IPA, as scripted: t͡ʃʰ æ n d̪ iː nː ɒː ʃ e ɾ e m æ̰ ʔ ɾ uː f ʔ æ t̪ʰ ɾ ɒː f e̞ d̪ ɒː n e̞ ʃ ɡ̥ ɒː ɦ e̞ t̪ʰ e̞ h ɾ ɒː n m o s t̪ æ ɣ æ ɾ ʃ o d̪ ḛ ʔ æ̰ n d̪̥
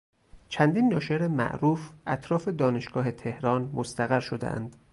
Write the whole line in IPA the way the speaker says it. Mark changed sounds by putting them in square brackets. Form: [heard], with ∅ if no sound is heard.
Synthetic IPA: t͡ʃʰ æ n d̪ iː nː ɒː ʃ e ɾ e m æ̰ ʔ ɾ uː f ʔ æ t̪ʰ ɾ ɒː f e̞ d̪ ɒː n e̞ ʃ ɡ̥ ɒː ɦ e̞ t̪ʰ e̞ h ɾ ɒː n m o s t̪ æ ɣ æ ɾ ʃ o d̪ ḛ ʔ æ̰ n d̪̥